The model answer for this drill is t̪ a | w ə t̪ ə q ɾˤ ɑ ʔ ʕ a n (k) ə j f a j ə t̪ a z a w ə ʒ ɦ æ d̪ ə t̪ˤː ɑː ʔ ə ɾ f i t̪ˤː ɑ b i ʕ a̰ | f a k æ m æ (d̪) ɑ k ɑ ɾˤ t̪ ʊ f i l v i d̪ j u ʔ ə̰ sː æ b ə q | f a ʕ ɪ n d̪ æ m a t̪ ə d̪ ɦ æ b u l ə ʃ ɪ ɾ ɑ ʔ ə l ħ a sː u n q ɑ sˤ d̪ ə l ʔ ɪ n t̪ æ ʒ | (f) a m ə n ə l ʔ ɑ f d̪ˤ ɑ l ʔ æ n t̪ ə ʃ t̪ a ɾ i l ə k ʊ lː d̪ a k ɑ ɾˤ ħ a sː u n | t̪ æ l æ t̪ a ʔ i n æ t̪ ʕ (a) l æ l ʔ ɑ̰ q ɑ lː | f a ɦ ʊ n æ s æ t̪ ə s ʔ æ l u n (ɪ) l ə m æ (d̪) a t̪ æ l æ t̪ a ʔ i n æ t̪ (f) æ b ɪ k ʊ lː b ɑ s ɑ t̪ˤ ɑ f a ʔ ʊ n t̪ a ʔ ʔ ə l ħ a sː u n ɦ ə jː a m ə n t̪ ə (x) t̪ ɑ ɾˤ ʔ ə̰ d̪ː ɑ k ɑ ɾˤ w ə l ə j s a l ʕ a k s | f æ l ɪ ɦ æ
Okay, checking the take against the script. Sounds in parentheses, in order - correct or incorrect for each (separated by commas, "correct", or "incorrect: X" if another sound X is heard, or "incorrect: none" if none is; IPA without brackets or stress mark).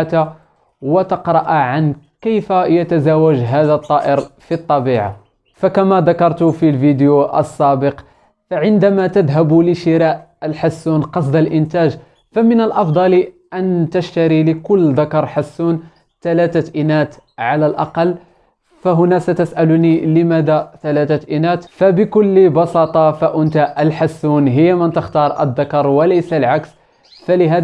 correct, correct, correct, correct, incorrect: i, correct, correct, correct